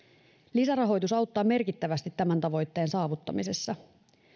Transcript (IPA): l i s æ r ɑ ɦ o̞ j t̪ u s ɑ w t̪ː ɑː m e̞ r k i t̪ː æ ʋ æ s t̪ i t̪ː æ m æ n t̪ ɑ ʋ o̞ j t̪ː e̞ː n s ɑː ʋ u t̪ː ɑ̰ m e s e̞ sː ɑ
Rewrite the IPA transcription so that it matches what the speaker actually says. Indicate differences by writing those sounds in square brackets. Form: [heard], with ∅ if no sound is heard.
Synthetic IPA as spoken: l i s æ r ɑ ɦ o̞ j t̪ u s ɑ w t̪ː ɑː m e̞ r k i t̪ː æ ʋ æ s t̪ i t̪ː æ m æ n t̪ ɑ ʋ o̞ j t̪ː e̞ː n s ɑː ʋ u t̪ː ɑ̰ m [i] s e̞ sː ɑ

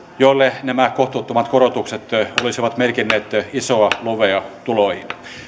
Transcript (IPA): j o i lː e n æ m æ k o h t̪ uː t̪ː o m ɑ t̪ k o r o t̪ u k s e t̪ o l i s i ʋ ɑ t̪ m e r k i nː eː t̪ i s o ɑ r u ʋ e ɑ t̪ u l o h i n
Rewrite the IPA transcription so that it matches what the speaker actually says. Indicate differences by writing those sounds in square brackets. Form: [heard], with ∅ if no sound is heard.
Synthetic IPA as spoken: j o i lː e n æ m æ k o h t̪ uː t̪ː o m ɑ t̪ k o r o t̪ u k s e t̪ o l i s i ʋ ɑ t̪ m e r k i nː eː t̪ i s o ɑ [l] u ʋ e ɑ t̪ u l o h i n

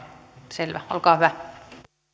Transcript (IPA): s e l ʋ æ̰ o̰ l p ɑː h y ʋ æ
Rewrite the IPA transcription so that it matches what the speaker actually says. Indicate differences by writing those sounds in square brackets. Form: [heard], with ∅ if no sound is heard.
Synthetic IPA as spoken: s e l ʋ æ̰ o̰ l [k] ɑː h y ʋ æ

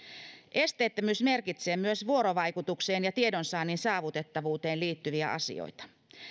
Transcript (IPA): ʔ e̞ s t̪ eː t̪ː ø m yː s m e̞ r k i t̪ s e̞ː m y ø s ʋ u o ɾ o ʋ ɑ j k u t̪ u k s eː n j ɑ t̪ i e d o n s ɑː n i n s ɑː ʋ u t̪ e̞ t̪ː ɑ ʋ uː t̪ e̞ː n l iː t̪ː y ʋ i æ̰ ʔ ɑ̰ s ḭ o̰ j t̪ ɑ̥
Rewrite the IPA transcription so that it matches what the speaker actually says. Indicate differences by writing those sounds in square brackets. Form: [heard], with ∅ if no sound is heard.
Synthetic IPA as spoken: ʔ e̞ s t̪ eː t̪ː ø m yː s m e̞ r k i t̪ s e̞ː m y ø s ʋ u o ɾ o ʋ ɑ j k u t̪ u k s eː n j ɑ t̪ i e d o n s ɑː n i n s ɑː ʋ u t̪ e̞ t̪ː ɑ ʋ uː t̪ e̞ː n l iː t̪ː y ʋ i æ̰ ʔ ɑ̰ s ḭ o̰ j t̪ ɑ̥

